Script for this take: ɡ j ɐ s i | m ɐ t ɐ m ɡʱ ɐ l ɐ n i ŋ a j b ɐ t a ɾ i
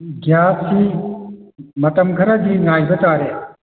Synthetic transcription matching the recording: ɡ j a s i | m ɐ t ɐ m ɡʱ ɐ ɾ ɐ d i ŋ a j b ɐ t a ɾ e